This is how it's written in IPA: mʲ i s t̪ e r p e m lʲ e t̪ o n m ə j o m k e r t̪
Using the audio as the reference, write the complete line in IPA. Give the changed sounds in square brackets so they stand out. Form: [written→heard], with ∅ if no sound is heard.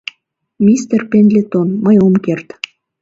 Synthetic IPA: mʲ i s t̪ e r p e [m→n] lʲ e t̪ o n m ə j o m k e r t̪